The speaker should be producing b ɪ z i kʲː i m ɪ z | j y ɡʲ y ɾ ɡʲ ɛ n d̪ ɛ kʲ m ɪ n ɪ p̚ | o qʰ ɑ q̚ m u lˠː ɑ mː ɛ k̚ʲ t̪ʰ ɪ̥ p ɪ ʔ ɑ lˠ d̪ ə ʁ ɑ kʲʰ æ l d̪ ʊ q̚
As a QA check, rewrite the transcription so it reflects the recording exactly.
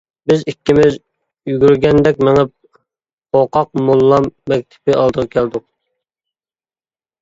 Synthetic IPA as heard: b ɪ z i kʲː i m ɪ z | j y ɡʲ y ɾ ɡʲ ɛ n d̪ ɛ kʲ m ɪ ŋ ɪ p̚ | o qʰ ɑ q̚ m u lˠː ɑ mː ɛ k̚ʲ t̪ʰ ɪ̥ p ɪ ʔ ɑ lˠ d̪ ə ʁ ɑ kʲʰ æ l d̪ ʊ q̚